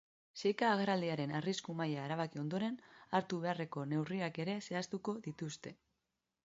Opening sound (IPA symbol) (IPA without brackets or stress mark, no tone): s